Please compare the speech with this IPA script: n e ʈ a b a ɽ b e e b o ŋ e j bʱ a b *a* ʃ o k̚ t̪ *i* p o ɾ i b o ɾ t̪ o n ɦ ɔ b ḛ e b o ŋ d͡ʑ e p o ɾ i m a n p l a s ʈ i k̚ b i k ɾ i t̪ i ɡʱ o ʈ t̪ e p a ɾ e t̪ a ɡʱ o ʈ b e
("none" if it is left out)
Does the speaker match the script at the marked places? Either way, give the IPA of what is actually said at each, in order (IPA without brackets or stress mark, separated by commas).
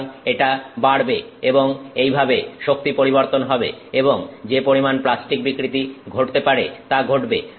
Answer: e, i